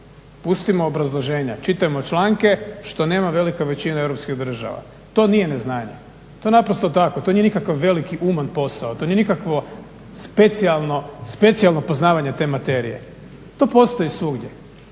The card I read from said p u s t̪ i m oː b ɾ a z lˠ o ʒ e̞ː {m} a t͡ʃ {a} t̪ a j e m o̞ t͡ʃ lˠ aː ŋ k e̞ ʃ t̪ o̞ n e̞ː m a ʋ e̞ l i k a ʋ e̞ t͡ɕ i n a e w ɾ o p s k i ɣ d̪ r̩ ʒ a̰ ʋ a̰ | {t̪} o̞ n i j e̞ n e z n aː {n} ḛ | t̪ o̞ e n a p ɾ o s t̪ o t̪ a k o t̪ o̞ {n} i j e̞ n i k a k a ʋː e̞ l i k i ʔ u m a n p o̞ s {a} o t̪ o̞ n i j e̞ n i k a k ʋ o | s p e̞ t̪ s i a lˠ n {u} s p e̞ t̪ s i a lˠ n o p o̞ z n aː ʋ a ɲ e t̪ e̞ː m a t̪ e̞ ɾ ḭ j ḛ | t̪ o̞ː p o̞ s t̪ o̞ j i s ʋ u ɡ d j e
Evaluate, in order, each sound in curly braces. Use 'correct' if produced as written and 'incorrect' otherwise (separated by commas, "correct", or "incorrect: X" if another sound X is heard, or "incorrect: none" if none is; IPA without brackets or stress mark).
incorrect: ɲ, incorrect: i, correct, incorrect: ɲ, correct, correct, incorrect: o